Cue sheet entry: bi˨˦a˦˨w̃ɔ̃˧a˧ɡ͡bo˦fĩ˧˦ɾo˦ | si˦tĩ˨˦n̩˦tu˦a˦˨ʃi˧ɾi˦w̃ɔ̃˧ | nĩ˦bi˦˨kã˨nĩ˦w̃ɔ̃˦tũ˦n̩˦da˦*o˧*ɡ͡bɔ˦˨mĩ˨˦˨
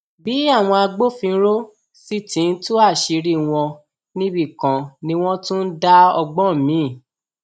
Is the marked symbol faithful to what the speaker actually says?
no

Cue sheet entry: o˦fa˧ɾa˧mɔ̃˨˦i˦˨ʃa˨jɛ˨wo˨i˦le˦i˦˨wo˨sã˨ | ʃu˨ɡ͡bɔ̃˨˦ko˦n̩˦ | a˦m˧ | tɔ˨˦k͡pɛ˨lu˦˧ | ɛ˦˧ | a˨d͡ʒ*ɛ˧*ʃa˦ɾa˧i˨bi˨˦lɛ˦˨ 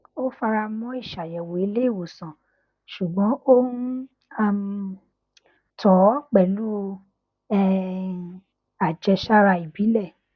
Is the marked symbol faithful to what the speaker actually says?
yes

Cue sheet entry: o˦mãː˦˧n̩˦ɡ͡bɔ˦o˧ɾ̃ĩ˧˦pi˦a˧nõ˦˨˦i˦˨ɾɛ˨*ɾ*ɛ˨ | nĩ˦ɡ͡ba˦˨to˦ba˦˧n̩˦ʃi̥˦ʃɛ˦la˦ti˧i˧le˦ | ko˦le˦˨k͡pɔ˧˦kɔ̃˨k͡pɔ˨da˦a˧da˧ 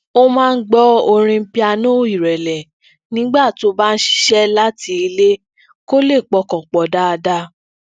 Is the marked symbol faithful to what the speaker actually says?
no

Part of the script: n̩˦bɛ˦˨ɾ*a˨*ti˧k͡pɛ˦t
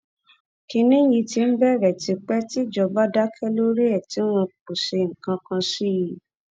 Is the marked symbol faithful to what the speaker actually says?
no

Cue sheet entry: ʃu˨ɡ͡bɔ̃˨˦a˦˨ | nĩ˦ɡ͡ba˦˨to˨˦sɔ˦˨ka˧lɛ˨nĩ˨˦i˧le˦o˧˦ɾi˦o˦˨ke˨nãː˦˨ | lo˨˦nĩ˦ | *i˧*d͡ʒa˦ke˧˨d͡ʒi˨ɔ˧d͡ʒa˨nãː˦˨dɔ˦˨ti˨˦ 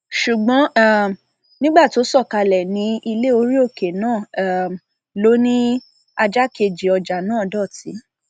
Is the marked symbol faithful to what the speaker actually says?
no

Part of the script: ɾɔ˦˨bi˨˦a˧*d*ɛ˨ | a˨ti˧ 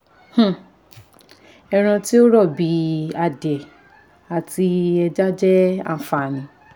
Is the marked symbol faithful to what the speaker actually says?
yes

